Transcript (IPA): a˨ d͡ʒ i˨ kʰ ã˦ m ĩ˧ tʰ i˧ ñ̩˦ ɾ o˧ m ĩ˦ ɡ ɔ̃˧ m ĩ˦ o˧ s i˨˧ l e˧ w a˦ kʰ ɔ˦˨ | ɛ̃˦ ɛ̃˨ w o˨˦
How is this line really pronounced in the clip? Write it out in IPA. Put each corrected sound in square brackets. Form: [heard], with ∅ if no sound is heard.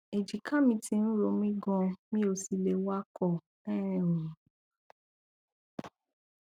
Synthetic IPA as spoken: [e˨] d͡ʒ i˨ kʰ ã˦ m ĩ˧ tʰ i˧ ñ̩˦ ɾ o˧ m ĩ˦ ɡ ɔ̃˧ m ĩ˦ o˧ s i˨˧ l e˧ w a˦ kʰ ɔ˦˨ | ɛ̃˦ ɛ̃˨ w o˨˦